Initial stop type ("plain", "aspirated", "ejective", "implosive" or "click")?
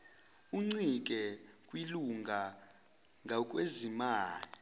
click